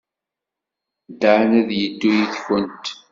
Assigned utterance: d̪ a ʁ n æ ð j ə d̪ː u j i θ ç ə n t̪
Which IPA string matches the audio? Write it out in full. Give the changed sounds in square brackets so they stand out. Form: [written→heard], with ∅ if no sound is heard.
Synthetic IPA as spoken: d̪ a [ʁ→ʕ] n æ ð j ə d̪ː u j i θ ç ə n t̪